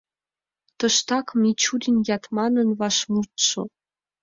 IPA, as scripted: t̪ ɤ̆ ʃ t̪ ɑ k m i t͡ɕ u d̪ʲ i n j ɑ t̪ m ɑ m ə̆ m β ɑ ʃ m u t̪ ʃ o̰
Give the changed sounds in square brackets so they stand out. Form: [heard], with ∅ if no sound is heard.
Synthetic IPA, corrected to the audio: t̪ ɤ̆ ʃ t̪ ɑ k m i t͡ɕ u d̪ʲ i n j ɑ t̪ m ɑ [n] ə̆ [n] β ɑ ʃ m u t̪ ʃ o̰